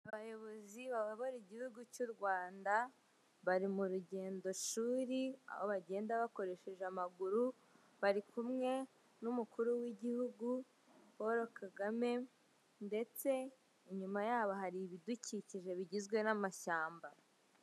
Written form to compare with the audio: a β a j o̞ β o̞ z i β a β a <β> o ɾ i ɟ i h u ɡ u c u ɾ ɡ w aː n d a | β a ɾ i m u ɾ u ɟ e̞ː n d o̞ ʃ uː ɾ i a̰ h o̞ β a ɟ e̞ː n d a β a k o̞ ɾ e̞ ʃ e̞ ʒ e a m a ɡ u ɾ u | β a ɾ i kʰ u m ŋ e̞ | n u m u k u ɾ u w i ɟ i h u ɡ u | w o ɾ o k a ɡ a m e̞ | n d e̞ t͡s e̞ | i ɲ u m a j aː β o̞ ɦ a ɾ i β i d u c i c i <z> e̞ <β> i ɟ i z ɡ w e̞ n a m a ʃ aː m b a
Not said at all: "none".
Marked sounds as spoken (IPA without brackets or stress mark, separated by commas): β, ʒ, β